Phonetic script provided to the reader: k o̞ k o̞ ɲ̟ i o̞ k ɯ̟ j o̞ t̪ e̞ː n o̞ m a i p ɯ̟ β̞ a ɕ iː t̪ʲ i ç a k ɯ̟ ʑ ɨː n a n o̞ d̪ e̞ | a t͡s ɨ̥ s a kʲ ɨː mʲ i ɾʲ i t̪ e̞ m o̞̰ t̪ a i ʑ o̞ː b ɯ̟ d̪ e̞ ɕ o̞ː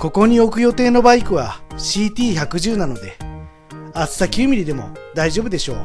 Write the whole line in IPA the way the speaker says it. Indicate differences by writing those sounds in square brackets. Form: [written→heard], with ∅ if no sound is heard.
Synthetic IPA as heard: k o̞ k o̞ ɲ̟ i o̞ k ɯ̟ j o̞ t̪ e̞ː n o̞ [m→b] a i [p→k] ɯ̟ β̞ a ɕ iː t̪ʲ [i→iː] ç a k ɯ̟ ʑ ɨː n a n o̞ d̪ e̞ | a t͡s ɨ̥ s a kʲ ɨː mʲ i ɾʲ i [t̪→d̪] e̞ m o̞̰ [t̪→d̪] a i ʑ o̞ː b ɯ̟ d̪ e̞ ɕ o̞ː